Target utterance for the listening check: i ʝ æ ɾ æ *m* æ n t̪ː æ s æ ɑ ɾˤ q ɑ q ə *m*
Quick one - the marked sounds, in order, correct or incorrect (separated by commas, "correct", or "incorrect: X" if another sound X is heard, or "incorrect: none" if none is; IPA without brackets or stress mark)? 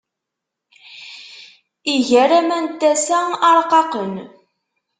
correct, incorrect: n